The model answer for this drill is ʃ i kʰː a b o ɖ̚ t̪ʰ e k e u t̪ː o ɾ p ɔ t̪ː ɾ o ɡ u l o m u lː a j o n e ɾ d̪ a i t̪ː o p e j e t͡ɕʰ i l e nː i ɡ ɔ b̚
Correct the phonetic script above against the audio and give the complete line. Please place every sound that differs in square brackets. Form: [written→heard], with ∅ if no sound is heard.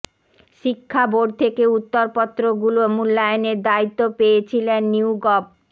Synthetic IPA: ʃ i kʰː a b o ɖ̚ t̪ʰ e k e u t̪ː o ɾ p ɔ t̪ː ɾ o ɡ u l o m u lː a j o n e ɾ d̪ a i t̪ː o p e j e t͡ɕʰ i l e nː i ɡ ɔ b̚

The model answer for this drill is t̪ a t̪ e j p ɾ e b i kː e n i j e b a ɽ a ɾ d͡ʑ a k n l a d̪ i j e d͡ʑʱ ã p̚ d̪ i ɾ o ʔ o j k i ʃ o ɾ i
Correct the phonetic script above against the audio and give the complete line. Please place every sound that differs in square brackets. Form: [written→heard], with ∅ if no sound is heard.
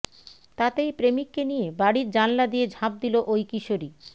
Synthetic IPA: t̪ a t̪ e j p ɾ e [b→m] i kː e n i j e b a ɽ [a→i] ɾ d͡ʑ a [k→∅] n l a d̪ i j e d͡ʑʱ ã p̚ d̪ i [ɾ→l] o ʔ o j k i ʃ o ɾ i

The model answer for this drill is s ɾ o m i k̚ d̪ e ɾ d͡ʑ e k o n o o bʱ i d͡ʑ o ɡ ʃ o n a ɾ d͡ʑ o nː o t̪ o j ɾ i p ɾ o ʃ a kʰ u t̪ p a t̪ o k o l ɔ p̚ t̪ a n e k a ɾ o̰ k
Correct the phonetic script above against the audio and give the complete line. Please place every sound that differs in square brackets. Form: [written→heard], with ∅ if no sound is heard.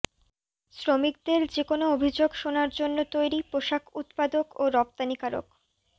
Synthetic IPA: s ɾ o m i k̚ d̪ e ɾ d͡ʑ e k o n o o bʱ i d͡ʑ o ɡ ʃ o n a ɾ d͡ʑ o nː o t̪ o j ɾ i p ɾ o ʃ a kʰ u t̪ p a [t̪→d̪] o k o [l→ɾ] ɔ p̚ t̪ a n [e→i] k a ɾ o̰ k

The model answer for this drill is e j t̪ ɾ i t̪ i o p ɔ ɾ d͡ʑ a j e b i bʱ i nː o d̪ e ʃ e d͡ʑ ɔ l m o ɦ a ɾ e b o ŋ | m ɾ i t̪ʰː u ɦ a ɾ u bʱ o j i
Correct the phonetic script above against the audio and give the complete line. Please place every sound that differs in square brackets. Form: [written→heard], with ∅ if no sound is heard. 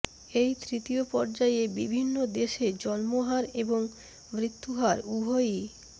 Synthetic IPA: e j t̪ ɾ i t̪ i o p ɔ ɾ d͡ʑ a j e b i bʱ i nː o d̪ e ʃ e d͡ʑ ɔ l m o ɦ a ɾ e b o ŋ | m ɾ i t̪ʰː u ɦ a ɾ u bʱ o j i

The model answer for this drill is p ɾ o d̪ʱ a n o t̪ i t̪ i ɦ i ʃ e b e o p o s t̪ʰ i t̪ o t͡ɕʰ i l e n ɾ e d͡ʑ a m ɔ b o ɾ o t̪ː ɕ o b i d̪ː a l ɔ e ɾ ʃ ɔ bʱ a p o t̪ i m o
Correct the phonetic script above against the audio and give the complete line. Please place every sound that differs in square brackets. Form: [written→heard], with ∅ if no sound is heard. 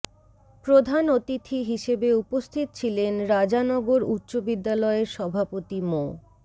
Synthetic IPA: p ɾ o d̪ʱ a n o t̪ i [t̪→t̪ʰ] i ɦ i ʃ e b e [o→u] p o s t̪ʰ i t̪ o t͡ɕʰ i l e n ɾ [e→a] d͡ʑ a [m→n] ɔ [b→ɡ] o ɾ [o→u] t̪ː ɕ o b i d̪ː a l ɔ e ɾ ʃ ɔ bʱ a p o t̪ i m o

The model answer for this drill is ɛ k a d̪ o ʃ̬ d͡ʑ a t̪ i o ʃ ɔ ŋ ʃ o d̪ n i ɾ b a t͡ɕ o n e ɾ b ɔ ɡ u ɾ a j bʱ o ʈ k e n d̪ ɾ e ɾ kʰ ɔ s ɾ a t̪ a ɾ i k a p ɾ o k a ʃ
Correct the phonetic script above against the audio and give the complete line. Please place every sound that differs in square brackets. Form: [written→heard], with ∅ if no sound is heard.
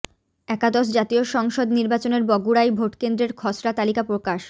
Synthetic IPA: ɛ k a d̪ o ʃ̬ d͡ʑ a t̪ i o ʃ ɔ ŋ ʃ o d̪ n i ɾ b a t͡ɕ o n e ɾ b ɔ ɡ u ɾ a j bʱ o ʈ k e n d̪ ɾ e ɾ kʰ ɔ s ɾ a t̪ a [ɾ→l] i k a p ɾ o k a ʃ

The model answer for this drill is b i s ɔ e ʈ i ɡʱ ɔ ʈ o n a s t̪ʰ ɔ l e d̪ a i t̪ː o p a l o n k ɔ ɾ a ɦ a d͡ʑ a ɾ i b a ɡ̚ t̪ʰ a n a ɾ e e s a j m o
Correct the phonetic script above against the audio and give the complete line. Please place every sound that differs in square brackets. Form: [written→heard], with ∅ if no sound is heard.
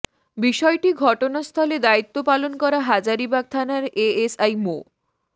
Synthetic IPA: b i [s→ʃ] ɔ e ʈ i ɡʱ ɔ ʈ o n a s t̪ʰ ɔ l e d̪ a i t̪ː o p a l o n k ɔ ɾ a ɦ a d͡ʑ a ɾ i b a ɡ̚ t̪ʰ a n a ɾ e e s a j m o

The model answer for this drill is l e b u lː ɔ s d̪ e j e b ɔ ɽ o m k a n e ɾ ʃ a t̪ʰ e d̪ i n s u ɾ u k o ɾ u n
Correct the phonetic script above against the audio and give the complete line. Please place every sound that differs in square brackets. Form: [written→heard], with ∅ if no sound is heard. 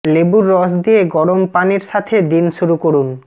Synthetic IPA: l e b u [lː→ɾː] ɔ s d̪ [e→i] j e [b→ɡ] ɔ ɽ o m [k→p] a n e ɾ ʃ a t̪ʰ e d̪ i n [s→ʃ] u ɾ u k o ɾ u n

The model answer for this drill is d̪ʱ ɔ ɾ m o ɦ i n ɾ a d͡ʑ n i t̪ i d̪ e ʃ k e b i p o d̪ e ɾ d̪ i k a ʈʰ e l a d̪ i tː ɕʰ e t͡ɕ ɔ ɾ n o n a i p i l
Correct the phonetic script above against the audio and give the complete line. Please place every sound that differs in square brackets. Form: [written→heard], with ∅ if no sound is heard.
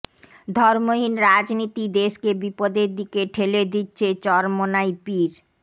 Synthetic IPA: d̪ʱ ɔ ɾ m o ɦ i n ɾ a d͡ʑ n i t̪ i d̪ e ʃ k e b i p o d̪ e ɾ d̪ i k [a→e] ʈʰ e l [a→e] d̪ i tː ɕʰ e t͡ɕ ɔ ɾ [n→m] o n a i p i [l→ɾ]

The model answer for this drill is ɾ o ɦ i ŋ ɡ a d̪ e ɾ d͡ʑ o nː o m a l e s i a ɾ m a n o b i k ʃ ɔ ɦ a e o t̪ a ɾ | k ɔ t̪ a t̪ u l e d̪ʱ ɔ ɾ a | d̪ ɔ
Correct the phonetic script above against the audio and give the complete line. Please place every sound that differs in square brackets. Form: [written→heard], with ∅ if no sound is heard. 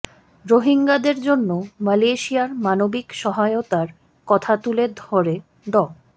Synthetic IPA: ɾ o ɦ i ŋ ɡ a d̪ e ɾ d͡ʑ o nː o m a l e [s→ʃ] i a ɾ m a n o b i k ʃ ɔ ɦ a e o t̪ a ɾ | k ɔ [t̪→t̪ʰ] a t̪ u l e d̪ʱ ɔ ɾ [a→e] | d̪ ɔ

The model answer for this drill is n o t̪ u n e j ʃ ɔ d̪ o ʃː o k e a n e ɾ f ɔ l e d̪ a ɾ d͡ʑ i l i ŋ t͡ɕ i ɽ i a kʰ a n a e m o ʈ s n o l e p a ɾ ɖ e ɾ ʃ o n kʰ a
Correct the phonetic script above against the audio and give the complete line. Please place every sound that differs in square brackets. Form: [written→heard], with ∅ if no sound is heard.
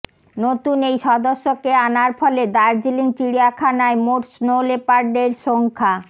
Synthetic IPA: n o t̪ u n e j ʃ ɔ d̪ o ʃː o k e a n [e→a] ɾ f ɔ l e d̪ a ɾ d͡ʑ i l i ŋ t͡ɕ i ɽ i a kʰ a n a e m o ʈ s n o l e p a ɾ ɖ e ɾ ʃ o [n→ŋ] kʰ a

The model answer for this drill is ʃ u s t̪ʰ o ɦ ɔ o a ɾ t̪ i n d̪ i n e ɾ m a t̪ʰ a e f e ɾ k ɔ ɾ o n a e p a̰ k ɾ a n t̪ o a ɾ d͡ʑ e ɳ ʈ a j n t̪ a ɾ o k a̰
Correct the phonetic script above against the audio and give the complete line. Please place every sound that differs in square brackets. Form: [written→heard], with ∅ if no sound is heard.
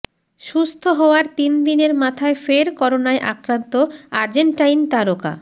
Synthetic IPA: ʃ u s t̪ʰ o ɦ ɔ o a ɾ t̪ i n d̪ i n e ɾ m a t̪ʰ a e f e ɾ k ɔ ɾ o n a e [p→ʔ] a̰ k ɾ a n t̪ o a ɾ d͡ʑ e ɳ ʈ a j n t̪ a ɾ o k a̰

